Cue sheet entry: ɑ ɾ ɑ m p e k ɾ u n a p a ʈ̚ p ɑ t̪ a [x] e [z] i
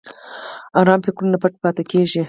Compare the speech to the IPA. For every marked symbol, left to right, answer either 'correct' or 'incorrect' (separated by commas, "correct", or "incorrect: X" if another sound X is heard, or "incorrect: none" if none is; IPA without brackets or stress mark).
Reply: incorrect: k, incorrect: ʒ